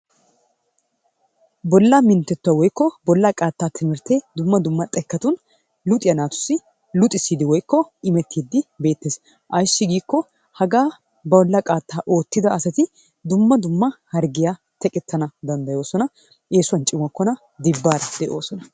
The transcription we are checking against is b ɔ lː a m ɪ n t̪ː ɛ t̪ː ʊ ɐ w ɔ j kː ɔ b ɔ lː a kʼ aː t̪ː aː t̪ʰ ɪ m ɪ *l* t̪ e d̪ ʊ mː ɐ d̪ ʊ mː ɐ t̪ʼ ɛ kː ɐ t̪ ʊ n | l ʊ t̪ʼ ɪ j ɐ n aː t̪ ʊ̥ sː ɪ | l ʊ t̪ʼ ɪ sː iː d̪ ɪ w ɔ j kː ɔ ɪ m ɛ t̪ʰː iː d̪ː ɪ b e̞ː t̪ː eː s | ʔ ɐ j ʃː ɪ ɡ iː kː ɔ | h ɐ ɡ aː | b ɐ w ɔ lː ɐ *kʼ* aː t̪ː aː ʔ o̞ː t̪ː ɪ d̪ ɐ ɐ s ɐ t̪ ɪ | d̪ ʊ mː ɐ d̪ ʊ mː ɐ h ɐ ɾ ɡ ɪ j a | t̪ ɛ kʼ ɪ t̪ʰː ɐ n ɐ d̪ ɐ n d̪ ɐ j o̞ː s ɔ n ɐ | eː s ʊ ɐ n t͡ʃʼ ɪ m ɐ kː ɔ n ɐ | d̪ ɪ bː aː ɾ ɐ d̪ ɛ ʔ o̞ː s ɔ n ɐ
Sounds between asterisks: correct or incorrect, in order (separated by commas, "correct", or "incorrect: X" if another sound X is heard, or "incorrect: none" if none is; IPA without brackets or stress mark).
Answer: incorrect: ɾ, correct